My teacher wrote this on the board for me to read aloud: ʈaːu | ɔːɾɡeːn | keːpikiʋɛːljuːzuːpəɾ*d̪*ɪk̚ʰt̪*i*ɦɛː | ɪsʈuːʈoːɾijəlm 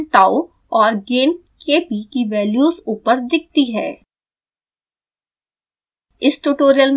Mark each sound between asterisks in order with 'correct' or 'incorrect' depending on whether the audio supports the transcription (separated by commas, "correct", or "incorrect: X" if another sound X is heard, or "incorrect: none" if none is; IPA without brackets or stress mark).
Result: correct, correct